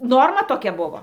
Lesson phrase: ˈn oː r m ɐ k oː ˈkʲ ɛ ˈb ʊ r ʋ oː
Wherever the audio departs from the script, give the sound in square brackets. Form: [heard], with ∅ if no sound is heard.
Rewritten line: ˈn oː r m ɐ [t] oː ˈkʲ ɛ ˈb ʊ [∅] ʋ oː

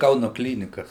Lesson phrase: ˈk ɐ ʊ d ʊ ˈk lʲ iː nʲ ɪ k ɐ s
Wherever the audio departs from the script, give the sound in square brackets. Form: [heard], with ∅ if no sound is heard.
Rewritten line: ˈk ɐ ʊ [n] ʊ ˈk lʲ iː nʲ ɪ k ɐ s

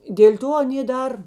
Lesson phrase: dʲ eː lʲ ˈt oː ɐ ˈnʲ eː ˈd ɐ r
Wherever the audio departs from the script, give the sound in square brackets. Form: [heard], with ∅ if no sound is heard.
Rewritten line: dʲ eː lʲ ˈt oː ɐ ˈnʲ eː ˈd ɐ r

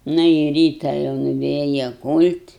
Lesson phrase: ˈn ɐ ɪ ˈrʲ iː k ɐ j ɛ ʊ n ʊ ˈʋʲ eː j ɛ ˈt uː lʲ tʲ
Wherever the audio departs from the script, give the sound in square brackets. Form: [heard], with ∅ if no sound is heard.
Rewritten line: ˈn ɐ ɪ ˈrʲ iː [t] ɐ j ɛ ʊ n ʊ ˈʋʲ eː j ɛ [ˈk] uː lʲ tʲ

